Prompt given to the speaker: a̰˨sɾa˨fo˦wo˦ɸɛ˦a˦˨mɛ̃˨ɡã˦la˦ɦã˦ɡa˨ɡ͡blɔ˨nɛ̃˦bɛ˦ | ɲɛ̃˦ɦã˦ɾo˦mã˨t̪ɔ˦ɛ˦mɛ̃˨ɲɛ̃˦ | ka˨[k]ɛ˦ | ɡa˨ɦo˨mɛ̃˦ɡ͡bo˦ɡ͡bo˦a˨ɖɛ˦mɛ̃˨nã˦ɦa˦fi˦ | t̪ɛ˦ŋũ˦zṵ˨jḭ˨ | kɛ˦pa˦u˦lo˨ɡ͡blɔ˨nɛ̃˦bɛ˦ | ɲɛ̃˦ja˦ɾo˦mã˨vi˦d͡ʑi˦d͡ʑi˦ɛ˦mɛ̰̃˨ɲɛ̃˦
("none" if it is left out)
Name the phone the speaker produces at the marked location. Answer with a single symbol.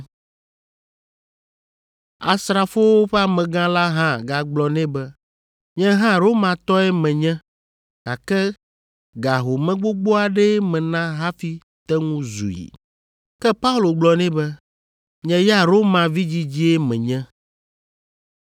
k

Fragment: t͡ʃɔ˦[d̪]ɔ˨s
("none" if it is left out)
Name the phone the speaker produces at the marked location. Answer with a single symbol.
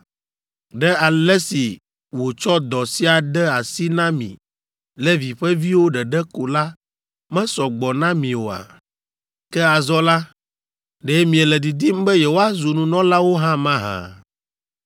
d̪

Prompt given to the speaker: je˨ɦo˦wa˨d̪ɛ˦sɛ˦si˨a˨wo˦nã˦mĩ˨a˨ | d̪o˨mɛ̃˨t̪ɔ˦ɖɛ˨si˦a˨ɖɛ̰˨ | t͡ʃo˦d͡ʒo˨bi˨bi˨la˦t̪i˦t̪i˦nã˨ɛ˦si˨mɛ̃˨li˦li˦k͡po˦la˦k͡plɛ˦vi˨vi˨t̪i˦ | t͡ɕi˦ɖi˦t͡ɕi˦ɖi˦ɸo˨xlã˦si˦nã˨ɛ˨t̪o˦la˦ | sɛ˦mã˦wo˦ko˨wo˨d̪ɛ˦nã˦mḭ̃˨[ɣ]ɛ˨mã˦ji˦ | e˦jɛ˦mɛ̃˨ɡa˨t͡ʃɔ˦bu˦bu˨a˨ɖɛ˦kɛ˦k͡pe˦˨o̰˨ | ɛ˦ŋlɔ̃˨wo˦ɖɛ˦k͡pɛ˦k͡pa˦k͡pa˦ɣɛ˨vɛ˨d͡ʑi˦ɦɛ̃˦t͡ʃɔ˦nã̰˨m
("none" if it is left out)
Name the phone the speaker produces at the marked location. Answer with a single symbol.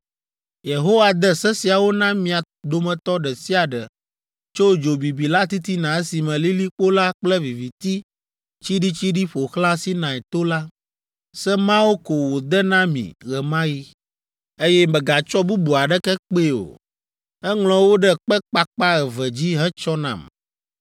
ɣ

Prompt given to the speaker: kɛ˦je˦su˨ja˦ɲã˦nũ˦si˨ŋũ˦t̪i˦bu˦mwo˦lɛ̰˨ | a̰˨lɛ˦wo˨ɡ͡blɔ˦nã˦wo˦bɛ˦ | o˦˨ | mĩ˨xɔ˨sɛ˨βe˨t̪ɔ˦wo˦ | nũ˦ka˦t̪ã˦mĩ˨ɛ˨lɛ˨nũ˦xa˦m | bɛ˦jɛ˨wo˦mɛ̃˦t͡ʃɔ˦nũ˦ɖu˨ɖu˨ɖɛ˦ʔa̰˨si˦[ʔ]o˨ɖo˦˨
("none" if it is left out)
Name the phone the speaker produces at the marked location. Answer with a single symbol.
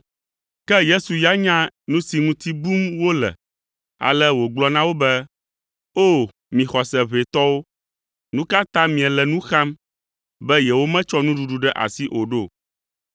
ʔ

